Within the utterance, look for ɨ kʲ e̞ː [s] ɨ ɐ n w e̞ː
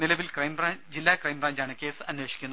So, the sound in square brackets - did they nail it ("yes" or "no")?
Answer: yes